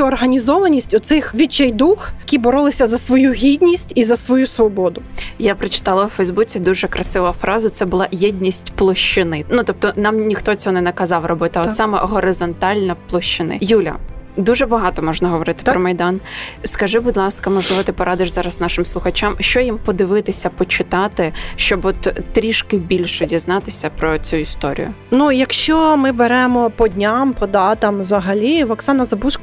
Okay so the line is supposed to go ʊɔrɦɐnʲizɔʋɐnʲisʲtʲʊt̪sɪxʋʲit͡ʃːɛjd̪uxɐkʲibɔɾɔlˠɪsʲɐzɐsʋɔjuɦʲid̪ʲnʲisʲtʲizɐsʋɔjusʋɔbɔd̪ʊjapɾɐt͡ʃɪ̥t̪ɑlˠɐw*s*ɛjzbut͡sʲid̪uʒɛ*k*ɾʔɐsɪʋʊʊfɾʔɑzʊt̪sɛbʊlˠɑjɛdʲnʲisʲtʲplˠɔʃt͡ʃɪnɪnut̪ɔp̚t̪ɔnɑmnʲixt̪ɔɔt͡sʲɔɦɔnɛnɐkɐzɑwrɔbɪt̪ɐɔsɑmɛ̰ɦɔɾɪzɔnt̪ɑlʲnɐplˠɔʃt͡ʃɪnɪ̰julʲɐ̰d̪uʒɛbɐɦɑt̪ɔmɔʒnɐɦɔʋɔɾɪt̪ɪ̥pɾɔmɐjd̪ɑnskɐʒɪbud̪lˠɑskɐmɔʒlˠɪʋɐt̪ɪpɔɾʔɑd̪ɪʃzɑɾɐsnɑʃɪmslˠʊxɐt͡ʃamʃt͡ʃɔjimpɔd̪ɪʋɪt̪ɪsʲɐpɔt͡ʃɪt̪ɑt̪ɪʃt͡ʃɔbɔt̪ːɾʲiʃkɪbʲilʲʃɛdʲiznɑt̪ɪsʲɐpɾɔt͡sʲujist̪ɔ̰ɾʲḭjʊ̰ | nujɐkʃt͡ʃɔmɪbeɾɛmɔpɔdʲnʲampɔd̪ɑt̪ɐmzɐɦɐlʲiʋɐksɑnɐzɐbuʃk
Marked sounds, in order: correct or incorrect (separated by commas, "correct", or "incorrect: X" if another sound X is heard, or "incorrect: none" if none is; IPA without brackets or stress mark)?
incorrect: f, correct